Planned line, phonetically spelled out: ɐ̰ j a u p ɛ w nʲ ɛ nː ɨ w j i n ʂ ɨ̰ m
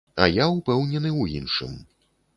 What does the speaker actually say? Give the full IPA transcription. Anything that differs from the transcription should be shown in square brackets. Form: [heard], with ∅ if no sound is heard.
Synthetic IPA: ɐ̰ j a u p ɛ w nʲ ɛ [n] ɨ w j i n ʂ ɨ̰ m